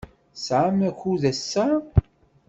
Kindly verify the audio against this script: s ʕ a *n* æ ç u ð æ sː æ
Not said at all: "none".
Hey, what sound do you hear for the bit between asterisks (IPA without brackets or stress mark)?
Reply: m